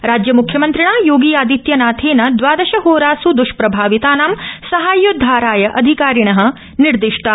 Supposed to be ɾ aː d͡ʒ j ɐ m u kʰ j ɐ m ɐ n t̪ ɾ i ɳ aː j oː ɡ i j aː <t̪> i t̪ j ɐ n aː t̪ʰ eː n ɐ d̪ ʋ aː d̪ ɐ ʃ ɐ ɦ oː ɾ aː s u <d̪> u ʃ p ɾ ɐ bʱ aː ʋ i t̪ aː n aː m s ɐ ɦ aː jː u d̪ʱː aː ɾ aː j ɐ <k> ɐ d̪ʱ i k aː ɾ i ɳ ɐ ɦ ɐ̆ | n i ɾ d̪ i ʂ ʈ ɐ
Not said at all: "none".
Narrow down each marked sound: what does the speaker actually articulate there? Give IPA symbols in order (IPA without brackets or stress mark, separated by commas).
d̪, d̪, ʔ